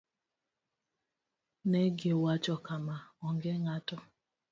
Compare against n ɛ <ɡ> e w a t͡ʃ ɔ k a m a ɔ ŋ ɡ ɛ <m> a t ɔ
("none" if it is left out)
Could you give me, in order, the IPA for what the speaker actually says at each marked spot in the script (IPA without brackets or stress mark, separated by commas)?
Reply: ɡ, ŋ